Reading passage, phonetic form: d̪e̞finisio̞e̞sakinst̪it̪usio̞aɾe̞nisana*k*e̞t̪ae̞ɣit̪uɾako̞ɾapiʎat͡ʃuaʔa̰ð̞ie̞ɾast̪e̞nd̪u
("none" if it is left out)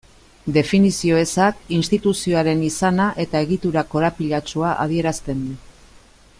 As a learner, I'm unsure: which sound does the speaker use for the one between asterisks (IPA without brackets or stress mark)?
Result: ʔ